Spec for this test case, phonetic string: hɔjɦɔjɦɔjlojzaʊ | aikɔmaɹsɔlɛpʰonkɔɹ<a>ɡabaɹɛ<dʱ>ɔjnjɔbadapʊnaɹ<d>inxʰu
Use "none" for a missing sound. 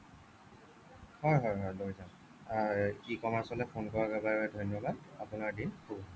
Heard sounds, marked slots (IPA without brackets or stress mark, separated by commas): a, dʱ, d